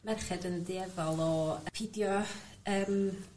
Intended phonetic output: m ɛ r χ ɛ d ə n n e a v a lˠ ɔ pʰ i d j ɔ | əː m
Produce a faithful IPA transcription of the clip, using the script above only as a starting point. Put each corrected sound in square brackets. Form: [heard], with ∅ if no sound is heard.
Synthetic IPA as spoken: m ɛ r χ ɛ d ə n [d] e [ɛ] v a lˠ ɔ pʰ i d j ɔ | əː m